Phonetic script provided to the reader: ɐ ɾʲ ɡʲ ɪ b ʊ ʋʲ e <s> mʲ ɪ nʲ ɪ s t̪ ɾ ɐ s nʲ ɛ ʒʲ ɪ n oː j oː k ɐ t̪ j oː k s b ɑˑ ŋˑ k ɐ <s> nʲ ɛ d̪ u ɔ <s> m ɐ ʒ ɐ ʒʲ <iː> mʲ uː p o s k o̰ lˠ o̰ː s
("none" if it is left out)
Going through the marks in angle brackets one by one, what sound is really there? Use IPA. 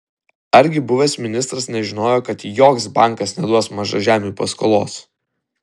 s, s, s, æː

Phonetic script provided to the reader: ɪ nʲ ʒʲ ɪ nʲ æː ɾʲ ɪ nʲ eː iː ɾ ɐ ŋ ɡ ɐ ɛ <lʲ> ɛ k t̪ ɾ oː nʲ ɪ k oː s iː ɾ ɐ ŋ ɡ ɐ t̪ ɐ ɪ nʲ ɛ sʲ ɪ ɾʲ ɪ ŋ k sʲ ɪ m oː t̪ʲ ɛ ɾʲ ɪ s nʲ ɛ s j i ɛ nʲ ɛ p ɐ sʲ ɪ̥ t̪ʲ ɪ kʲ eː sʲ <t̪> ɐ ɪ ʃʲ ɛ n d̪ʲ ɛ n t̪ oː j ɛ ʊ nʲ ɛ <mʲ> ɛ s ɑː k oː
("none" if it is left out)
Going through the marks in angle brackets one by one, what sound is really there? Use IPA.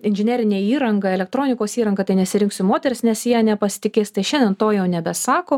lʲ, t̪, bʲ

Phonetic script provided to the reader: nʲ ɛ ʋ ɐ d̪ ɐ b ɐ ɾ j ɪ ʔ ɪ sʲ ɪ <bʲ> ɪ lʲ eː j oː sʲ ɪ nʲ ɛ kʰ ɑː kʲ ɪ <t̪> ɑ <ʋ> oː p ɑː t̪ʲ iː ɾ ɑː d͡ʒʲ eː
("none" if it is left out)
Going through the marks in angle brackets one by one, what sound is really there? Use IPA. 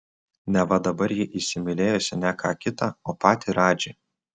mʲ, t̪, none

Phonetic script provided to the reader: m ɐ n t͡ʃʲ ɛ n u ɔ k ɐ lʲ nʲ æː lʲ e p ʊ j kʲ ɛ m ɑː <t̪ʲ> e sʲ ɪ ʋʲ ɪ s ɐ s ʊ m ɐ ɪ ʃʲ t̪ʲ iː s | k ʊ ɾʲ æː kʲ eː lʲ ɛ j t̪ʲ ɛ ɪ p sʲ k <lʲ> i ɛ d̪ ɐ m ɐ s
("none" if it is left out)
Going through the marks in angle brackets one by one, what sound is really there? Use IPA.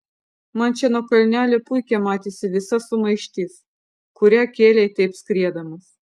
t̪ʲ, ɾʲ

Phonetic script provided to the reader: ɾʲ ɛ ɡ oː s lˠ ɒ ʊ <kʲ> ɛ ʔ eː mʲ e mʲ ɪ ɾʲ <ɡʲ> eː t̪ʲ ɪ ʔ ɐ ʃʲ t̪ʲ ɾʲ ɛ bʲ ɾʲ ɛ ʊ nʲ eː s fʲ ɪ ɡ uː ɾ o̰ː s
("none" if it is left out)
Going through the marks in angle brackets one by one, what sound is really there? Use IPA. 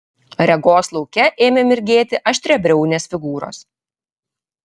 kʲ, ɡʲ

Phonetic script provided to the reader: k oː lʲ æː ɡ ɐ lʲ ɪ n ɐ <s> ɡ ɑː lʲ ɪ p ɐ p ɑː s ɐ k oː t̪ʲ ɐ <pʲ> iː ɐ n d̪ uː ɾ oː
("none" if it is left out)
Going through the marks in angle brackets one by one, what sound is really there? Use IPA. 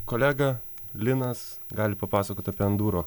s, pʲ

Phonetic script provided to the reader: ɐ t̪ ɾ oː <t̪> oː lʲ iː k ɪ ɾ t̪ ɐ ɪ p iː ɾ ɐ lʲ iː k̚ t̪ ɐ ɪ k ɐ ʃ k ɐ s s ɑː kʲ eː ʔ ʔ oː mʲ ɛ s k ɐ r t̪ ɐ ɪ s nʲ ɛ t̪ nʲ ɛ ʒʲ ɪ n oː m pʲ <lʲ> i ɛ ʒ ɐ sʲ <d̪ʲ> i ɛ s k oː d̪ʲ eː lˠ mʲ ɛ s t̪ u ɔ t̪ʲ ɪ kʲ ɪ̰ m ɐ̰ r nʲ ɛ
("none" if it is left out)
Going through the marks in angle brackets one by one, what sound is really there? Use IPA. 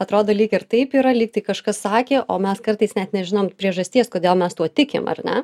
d̪, ɾʲ, t̪ʲ

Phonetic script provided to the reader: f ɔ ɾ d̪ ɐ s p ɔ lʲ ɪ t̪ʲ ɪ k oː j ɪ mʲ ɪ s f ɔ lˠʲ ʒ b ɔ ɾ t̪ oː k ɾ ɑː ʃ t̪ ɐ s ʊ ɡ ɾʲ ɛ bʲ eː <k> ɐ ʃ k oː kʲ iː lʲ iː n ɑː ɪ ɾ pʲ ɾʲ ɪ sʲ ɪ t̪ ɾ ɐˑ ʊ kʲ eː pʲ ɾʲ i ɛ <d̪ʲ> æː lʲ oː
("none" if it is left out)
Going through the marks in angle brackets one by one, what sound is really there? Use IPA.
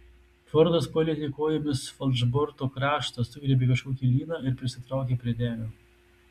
k, d̪ʲ

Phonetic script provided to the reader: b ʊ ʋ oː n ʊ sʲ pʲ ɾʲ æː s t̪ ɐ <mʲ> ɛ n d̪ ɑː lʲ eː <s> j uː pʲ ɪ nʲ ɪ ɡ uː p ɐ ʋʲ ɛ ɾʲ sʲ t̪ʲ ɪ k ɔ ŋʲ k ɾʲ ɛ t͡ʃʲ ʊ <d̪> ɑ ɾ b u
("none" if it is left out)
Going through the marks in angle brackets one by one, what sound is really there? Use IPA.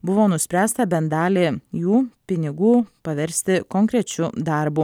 bʲ, none, d̪

